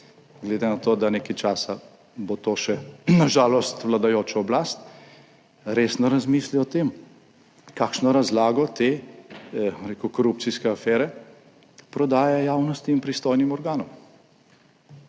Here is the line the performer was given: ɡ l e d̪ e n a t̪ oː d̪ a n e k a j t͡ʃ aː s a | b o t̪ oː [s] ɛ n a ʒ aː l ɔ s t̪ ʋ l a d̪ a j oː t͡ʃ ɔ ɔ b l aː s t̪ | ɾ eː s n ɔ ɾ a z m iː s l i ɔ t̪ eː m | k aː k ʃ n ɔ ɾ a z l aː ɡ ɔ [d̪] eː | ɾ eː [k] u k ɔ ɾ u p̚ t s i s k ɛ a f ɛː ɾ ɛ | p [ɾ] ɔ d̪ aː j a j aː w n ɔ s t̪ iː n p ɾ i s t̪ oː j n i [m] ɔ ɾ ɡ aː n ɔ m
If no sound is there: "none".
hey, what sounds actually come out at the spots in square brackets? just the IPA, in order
ʃ, t̪, k, ɾ, m

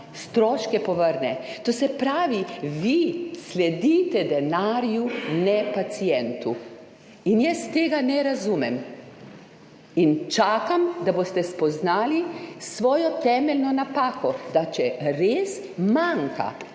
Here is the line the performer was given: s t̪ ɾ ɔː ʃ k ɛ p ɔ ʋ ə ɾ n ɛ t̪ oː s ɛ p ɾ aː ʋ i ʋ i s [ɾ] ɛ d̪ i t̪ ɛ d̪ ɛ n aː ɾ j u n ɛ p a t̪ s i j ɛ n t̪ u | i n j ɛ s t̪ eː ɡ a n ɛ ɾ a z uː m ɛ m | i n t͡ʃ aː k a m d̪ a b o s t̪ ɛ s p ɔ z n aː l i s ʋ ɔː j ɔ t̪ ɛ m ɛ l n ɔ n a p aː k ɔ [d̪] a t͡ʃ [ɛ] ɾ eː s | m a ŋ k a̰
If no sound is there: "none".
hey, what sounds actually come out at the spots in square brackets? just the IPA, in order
l, d̪, ɛ

